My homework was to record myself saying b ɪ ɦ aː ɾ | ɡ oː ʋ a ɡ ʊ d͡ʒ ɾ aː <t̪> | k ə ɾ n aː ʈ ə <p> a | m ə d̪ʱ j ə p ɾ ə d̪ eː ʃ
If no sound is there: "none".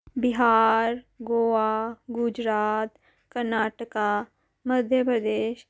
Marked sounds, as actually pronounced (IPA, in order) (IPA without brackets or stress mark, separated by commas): t̪, k